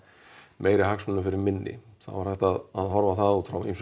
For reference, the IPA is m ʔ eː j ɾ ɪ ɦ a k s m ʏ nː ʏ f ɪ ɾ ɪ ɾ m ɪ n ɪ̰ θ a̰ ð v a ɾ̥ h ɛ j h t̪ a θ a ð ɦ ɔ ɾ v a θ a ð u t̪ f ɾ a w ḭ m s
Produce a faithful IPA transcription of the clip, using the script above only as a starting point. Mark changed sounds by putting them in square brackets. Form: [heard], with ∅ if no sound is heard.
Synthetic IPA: m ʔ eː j ɾ ɪ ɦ a k s m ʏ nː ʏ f ɪ ɾ ɪ ɾ m ɪ [nː] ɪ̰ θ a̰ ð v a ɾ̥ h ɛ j h t̪ a [ð] a ð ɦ ɔ ɾ v a θ a ð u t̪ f ɾ a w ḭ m s